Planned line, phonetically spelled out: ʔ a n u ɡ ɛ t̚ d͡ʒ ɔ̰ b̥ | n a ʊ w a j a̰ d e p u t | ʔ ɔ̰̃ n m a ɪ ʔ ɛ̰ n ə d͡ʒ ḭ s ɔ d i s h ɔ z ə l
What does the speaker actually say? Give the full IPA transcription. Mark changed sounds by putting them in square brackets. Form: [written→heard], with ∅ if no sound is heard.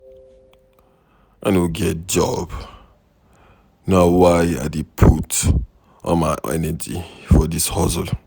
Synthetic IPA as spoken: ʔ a n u ɡ ɛ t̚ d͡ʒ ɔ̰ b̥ | n a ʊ w a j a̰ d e [p→pʰ] u t | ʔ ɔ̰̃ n m a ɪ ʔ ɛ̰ n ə d͡ʒ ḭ [s→f] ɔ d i s h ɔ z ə l